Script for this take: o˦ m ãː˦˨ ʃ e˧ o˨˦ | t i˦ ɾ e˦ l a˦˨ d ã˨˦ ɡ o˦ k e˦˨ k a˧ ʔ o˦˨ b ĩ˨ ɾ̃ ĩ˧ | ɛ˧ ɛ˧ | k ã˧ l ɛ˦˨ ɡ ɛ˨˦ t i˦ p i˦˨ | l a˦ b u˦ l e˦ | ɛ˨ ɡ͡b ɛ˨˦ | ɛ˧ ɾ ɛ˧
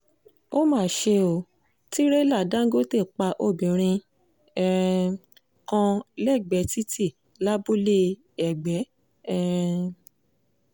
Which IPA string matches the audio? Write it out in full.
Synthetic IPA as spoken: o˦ m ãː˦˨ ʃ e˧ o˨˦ | t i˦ ɾ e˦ l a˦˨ d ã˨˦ ɡ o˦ t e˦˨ k͡p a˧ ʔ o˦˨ b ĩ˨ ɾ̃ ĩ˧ | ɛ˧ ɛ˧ | k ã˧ l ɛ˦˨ ɡ͡b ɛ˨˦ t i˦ t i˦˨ | l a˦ b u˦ l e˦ | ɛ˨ ɡ͡b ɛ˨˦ | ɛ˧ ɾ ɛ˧

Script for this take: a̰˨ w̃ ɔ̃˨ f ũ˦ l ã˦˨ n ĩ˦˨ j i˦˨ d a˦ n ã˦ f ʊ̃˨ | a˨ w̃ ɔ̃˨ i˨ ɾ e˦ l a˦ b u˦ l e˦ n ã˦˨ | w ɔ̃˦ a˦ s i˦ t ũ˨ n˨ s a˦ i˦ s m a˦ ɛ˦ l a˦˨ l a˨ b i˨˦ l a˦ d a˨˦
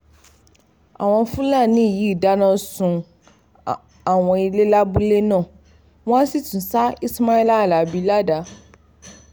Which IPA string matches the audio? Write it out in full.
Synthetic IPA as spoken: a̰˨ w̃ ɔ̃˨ f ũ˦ l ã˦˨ n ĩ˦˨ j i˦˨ d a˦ n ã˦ s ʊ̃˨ | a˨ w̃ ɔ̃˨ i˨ l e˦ l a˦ b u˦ l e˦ n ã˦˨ | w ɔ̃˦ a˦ s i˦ t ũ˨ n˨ s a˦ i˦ s m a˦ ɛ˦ l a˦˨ l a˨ b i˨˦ l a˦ d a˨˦

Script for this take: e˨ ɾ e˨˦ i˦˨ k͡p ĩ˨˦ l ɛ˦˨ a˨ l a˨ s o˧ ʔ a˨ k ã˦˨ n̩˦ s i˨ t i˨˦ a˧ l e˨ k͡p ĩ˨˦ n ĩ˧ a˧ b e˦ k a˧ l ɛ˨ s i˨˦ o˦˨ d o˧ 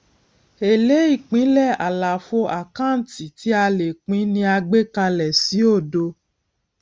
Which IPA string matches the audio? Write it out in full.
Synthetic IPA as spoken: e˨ l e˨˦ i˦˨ k͡p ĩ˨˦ l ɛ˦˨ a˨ l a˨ f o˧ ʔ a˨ k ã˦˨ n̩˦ t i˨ t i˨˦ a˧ l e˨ k͡p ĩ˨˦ n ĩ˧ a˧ ɡ͡b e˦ k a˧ l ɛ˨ s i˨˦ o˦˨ d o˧

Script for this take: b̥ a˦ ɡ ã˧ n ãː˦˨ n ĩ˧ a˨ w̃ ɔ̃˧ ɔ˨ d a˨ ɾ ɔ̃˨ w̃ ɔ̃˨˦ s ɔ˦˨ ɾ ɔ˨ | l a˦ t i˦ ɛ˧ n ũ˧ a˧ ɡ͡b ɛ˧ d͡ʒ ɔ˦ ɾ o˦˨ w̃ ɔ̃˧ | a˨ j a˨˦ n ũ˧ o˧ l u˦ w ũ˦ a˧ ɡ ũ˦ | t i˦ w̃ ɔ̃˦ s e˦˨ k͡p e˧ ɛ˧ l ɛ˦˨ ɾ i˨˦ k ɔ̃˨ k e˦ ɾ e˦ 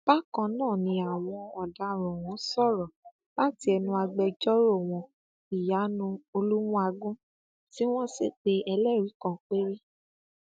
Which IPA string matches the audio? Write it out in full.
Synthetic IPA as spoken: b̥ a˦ k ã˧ n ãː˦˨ n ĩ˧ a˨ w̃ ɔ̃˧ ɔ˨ d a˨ ɾ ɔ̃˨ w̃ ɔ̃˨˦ s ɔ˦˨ ɾ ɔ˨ | l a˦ t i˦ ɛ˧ n ũ˧ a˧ ɡ͡b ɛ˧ d͡ʒ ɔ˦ ɾ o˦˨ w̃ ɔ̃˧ | i˨ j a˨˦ n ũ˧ o˧ l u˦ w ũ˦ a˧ ɡ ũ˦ | t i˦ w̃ ɔ̃˦ s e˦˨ k͡p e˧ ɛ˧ l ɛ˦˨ ɾ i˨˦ k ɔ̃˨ k͡p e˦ ɾ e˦

